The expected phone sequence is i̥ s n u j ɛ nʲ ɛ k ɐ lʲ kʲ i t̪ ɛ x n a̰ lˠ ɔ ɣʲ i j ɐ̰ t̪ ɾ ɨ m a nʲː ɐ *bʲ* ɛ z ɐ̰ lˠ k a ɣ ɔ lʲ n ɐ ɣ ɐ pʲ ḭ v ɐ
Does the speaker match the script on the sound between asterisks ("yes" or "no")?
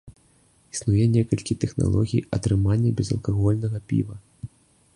yes